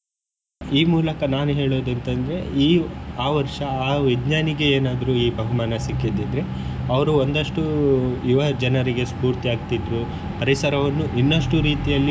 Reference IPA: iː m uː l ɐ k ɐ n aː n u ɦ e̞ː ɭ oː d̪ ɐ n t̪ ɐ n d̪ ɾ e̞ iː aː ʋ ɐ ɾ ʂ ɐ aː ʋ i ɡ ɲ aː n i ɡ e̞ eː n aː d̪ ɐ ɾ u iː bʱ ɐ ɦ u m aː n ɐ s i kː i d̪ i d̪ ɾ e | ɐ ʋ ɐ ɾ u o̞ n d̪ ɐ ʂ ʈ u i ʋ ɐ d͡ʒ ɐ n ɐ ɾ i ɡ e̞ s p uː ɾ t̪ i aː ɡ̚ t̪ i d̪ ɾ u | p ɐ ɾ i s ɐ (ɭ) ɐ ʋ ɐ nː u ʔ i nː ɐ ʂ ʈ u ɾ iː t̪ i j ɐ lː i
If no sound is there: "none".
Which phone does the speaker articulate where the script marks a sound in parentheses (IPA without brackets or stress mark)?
ɾ